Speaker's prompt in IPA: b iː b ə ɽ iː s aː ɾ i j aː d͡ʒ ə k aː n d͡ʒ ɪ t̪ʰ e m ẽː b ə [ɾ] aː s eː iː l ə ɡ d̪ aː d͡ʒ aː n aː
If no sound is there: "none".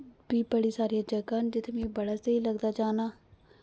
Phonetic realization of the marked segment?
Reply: ɽ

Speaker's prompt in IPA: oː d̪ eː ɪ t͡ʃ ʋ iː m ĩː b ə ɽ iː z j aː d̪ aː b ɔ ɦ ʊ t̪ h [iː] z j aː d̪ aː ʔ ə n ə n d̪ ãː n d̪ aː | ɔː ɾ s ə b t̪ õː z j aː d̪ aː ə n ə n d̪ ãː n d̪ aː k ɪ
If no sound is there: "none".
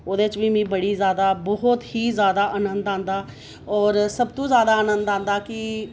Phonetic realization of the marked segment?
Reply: iː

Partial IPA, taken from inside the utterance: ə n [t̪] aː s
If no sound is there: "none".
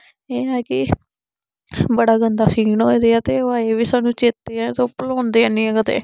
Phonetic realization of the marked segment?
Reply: d̪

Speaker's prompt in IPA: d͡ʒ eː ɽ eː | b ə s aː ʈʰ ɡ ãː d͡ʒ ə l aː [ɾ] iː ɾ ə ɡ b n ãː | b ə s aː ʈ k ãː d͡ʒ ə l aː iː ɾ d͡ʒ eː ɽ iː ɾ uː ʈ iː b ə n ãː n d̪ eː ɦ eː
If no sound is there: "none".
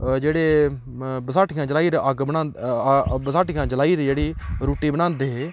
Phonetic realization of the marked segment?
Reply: none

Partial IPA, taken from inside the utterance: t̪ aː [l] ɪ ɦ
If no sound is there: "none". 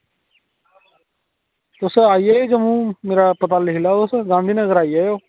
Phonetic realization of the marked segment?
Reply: l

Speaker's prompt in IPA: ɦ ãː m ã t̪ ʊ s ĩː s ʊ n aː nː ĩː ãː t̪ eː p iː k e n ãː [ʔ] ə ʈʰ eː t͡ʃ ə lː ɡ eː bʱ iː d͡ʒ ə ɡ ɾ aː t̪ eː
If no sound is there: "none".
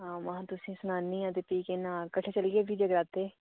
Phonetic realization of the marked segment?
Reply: k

